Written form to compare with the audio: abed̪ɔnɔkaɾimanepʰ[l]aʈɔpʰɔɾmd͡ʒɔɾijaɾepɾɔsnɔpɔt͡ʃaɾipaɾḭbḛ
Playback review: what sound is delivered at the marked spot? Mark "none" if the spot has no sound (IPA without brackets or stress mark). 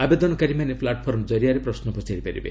l